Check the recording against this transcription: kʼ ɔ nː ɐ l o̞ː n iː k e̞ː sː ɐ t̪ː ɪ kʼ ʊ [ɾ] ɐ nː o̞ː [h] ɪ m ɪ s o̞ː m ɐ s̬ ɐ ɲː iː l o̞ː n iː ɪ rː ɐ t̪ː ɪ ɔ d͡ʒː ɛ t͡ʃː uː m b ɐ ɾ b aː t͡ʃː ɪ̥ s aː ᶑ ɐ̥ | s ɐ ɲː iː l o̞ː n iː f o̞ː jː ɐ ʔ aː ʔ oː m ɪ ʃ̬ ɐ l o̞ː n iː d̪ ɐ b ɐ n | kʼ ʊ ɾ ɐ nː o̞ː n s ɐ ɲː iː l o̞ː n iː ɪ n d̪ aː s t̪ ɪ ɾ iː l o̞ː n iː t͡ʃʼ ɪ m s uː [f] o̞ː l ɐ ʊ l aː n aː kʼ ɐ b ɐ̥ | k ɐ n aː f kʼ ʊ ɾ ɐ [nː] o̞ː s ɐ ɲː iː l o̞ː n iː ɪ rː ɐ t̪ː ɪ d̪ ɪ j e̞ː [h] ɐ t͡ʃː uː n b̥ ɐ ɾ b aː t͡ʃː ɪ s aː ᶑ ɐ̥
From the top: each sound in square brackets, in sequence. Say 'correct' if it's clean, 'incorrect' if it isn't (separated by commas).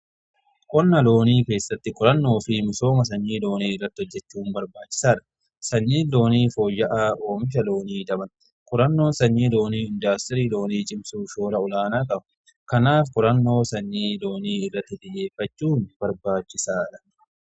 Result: correct, incorrect, incorrect, correct, incorrect